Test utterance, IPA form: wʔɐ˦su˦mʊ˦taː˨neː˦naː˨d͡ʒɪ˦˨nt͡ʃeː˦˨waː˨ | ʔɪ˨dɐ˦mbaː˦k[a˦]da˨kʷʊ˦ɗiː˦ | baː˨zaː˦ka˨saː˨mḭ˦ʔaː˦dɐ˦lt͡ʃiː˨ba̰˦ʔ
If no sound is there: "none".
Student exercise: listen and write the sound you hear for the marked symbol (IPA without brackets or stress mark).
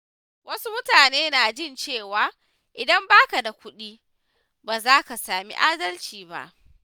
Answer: a˨